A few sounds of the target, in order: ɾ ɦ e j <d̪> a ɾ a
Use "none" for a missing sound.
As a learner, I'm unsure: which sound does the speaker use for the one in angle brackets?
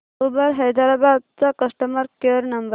d̪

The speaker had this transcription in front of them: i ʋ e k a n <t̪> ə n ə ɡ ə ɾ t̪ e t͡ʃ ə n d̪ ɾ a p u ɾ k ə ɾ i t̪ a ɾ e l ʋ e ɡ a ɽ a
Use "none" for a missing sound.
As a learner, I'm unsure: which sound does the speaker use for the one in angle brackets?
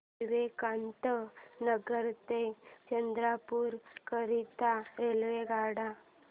t̪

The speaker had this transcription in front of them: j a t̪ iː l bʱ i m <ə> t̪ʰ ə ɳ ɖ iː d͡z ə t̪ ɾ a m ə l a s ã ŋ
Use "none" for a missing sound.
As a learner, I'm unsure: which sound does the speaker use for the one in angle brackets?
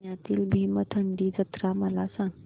ə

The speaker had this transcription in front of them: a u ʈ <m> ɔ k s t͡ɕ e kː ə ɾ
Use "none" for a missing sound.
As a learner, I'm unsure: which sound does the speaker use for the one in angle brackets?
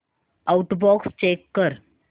b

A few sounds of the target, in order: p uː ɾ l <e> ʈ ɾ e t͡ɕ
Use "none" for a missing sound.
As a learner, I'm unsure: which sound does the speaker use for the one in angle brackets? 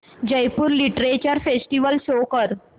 i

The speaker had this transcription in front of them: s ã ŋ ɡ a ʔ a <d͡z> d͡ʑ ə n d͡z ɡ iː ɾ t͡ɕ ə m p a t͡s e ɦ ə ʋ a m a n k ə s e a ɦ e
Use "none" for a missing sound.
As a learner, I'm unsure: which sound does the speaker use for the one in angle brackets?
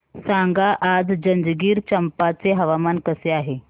d͡z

